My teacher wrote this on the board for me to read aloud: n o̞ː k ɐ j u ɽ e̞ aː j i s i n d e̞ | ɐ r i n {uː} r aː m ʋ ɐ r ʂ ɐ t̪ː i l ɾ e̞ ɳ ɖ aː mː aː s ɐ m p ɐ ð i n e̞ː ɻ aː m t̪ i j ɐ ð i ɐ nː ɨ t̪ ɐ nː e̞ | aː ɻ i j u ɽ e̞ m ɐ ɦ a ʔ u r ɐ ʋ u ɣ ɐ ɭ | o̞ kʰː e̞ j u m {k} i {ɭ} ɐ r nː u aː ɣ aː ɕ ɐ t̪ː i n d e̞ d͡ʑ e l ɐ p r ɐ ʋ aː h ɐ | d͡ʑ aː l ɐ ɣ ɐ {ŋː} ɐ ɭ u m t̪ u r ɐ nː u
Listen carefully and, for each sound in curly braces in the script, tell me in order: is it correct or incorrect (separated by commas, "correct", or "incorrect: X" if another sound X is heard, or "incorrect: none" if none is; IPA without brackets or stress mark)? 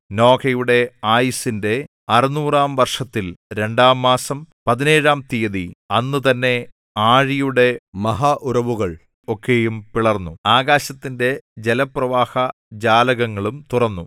correct, incorrect: p, correct, correct